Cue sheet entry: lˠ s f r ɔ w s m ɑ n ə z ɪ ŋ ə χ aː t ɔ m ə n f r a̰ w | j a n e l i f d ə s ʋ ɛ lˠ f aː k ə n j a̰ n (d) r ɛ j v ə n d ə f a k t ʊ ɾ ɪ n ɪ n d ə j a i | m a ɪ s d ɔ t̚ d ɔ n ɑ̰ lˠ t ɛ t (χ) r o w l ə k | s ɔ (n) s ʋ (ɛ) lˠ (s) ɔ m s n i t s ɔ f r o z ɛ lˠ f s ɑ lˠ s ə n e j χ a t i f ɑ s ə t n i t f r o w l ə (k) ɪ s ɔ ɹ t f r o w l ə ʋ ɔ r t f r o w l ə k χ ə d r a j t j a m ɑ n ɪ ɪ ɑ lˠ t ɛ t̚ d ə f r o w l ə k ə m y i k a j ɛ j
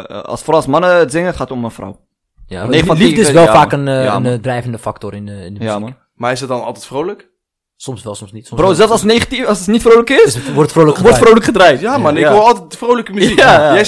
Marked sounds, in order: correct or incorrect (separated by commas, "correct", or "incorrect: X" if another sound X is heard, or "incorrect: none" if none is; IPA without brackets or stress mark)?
correct, incorrect: f, incorrect: m, correct, correct, correct